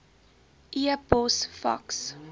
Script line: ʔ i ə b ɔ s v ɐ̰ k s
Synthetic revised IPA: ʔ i ə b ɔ s f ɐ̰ k s